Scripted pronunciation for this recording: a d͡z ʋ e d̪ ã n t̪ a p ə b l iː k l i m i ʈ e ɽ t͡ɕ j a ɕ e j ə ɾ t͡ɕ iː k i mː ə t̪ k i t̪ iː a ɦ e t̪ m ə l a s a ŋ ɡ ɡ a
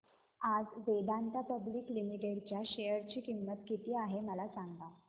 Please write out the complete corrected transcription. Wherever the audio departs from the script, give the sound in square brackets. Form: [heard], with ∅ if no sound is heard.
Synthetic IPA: a d͡z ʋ e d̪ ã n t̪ a p ə b l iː k l i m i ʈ e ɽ t͡ɕ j a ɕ e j ə ɾ t͡ɕ iː k i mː ə t̪ k i t̪ iː a ɦ e [∅] m ə l a s a ŋ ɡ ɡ a